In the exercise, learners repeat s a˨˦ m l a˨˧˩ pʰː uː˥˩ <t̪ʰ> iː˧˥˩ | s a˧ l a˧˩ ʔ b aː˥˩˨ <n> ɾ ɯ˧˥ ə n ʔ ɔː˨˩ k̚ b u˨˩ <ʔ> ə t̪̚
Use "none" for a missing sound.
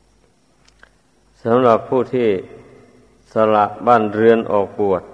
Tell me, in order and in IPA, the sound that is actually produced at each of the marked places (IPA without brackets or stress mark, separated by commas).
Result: t̪ʰ, n, none